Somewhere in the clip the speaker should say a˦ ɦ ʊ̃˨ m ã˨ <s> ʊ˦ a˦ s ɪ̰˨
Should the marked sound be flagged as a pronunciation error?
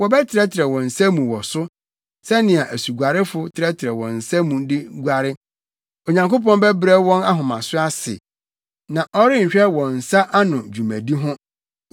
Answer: no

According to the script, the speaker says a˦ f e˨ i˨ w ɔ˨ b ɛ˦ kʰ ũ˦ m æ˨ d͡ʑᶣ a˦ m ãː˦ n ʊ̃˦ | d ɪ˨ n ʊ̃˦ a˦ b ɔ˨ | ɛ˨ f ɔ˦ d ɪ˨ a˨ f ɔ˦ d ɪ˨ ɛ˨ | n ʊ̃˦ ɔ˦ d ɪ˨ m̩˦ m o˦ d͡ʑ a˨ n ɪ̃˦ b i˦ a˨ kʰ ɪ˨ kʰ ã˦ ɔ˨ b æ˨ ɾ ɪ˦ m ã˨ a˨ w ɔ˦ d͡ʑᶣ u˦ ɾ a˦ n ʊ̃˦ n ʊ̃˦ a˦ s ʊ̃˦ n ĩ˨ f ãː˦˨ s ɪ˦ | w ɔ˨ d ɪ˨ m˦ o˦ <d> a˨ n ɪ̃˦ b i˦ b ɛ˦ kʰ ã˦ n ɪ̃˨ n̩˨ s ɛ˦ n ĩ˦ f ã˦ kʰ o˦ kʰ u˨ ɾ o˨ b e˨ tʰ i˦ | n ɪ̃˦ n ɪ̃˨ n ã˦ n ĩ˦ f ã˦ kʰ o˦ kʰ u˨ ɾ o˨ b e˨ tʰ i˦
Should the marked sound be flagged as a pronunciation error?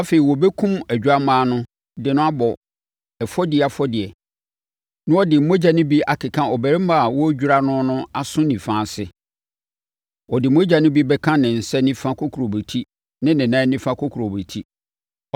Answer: yes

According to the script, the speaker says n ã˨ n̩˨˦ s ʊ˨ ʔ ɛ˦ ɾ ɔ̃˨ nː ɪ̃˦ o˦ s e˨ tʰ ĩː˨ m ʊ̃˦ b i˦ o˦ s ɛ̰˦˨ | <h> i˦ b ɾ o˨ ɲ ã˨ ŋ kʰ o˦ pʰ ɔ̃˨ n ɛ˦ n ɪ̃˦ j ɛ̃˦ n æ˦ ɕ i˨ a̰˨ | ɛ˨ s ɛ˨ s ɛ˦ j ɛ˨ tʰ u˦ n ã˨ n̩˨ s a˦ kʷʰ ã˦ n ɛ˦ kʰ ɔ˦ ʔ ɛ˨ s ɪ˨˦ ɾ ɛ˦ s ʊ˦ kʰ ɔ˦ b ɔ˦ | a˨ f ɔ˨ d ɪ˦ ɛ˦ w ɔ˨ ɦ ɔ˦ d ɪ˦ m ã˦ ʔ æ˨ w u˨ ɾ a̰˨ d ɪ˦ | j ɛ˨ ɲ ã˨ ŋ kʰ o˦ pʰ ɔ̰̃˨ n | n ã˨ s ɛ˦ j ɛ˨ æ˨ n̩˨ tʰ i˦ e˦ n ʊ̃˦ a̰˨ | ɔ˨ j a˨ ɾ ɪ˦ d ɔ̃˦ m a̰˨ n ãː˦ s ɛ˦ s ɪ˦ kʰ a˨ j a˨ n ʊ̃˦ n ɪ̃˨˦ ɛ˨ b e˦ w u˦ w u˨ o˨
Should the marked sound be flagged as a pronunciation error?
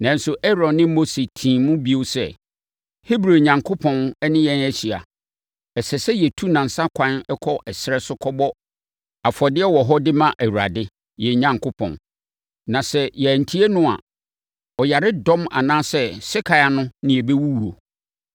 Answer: no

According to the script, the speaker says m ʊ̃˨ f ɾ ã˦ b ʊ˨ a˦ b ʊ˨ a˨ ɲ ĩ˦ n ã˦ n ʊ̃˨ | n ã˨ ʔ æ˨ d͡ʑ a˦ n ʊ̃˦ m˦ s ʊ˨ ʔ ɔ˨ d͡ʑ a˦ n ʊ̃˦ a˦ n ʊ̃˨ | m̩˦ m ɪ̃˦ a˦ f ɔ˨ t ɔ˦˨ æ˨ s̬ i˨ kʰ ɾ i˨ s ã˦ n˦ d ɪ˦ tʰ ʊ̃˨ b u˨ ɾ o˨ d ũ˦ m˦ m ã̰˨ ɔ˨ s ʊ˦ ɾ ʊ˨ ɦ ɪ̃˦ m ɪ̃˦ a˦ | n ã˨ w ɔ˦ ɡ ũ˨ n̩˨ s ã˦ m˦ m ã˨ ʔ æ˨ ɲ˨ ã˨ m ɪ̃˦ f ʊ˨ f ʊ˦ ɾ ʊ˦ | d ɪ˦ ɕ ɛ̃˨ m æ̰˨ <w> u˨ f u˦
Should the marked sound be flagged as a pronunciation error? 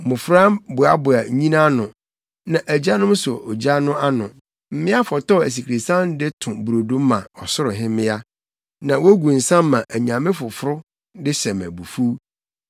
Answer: yes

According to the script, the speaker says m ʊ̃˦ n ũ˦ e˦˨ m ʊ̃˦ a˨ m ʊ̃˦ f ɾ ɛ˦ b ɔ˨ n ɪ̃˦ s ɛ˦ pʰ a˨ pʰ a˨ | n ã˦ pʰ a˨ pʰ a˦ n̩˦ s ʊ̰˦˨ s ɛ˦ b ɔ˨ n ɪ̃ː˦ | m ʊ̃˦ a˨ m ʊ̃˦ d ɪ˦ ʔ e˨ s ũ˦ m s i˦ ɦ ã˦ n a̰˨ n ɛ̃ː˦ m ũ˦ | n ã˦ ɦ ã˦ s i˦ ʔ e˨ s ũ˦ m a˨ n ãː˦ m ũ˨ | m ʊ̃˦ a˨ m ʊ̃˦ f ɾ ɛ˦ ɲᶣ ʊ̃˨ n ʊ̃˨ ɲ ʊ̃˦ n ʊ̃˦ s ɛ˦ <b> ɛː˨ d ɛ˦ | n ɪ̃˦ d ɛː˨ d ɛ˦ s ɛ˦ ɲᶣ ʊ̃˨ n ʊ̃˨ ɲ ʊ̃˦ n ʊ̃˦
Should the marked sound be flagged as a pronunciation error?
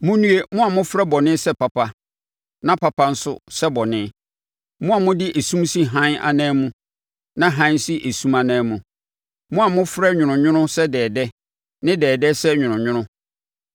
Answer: yes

